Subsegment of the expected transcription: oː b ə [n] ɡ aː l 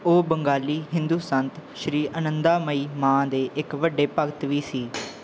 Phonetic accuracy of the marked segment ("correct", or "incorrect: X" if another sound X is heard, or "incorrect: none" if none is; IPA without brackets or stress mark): incorrect: ŋ